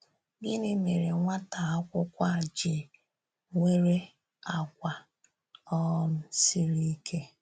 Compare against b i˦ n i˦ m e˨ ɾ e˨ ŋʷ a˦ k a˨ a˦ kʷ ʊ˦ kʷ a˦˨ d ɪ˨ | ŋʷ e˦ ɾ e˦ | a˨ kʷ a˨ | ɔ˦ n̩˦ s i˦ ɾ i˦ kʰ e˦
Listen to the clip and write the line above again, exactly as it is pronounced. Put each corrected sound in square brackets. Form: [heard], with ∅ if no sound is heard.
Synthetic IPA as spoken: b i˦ n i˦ m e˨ ɾ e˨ ŋʷ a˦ [t] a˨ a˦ kʷ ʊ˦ kʷ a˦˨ [d͡ʒ] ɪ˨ | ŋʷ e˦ ɾ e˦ | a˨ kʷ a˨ | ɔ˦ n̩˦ s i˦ ɾ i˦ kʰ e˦